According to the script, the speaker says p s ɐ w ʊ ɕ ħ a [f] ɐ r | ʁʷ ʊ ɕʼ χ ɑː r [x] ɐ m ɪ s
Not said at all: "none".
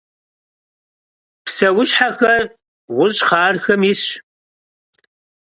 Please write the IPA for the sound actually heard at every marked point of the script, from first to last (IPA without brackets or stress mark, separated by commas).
x, x